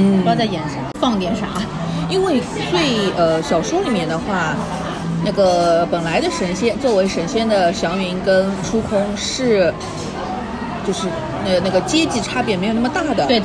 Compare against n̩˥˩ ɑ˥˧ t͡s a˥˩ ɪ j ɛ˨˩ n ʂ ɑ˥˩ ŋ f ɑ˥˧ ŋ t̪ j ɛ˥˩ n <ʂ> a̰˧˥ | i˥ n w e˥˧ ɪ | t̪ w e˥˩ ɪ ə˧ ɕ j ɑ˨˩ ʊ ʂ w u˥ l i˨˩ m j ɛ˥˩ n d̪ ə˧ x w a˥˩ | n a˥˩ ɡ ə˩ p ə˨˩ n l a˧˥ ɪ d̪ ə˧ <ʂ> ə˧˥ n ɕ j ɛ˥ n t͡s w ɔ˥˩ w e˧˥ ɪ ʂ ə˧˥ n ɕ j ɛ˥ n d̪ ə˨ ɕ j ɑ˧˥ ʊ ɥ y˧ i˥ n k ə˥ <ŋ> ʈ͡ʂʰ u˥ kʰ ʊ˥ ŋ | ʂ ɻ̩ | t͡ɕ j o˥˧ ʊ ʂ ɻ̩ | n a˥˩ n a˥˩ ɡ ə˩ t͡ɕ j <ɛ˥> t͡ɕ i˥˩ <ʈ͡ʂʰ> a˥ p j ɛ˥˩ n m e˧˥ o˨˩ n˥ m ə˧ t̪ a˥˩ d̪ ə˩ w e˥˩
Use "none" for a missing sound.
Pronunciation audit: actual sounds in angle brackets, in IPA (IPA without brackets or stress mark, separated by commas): ʂ, ʂ, n, ɛ˥, ʈ͡ʂʰ